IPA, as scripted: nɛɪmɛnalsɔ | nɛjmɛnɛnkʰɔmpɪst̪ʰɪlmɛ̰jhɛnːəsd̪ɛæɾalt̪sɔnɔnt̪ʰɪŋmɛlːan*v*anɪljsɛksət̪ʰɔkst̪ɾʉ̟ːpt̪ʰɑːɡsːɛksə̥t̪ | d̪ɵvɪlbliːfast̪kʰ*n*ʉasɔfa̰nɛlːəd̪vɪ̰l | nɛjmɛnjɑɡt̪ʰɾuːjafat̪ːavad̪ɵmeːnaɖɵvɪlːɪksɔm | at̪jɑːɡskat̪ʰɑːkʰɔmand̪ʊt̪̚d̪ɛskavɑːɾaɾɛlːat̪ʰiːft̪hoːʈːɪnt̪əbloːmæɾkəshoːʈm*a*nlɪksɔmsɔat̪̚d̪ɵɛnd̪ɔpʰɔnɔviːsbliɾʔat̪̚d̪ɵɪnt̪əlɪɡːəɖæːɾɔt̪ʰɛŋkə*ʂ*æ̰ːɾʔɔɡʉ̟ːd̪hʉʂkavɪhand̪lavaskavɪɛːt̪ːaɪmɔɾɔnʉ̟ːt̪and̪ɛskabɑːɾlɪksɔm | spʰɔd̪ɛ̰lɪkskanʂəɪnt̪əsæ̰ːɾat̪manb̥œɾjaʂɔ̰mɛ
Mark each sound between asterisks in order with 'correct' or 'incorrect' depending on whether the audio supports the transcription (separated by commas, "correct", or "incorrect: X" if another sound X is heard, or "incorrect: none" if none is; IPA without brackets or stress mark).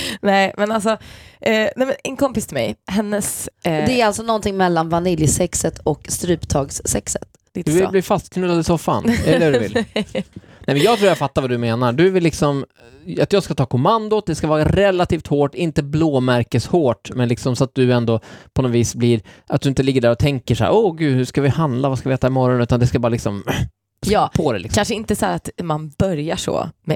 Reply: correct, correct, incorrect: ɛ, correct